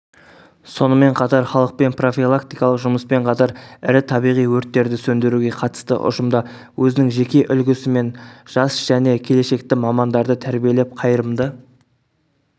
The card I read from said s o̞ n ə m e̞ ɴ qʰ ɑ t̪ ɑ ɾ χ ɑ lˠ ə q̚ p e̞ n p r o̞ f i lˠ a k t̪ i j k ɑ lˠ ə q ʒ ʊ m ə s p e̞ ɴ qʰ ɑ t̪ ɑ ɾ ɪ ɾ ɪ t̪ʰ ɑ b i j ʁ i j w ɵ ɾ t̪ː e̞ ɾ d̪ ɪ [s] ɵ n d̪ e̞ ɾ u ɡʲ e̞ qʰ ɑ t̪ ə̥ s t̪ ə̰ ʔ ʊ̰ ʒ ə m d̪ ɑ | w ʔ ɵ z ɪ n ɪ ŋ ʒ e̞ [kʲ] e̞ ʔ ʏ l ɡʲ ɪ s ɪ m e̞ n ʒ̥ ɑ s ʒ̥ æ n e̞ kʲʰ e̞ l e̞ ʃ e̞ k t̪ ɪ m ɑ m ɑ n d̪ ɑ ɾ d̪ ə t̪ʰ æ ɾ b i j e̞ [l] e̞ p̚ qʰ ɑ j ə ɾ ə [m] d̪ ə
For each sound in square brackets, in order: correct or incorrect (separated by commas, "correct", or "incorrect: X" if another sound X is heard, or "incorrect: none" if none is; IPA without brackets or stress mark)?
correct, correct, correct, correct